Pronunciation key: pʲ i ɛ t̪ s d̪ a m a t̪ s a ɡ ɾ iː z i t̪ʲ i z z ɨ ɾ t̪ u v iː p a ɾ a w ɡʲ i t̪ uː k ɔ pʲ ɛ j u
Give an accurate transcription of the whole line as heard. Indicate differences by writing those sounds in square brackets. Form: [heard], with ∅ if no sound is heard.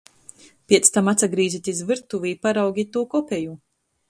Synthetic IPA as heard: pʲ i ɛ t̪ s [t̪] a m a t̪ s a ɡ ɾ iː z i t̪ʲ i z [v] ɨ ɾ t̪ u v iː p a ɾ a w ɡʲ i t̪ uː k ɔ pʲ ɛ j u